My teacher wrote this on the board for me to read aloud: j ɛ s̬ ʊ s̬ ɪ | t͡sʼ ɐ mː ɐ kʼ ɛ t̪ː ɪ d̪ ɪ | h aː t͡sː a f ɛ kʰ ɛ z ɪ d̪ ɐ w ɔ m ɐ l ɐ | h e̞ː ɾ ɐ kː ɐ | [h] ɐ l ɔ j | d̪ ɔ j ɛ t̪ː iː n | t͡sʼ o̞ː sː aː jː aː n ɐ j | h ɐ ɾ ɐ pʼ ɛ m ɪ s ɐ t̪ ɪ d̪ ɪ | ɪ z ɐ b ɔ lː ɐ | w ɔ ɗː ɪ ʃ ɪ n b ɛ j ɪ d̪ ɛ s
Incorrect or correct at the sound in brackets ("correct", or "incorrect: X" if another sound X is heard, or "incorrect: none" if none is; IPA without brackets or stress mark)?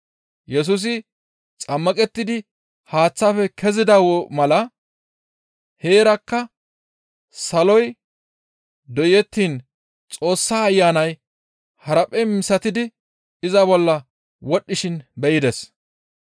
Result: incorrect: s